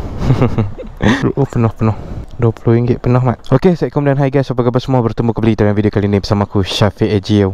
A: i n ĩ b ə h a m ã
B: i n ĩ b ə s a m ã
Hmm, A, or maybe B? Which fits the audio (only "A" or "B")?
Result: B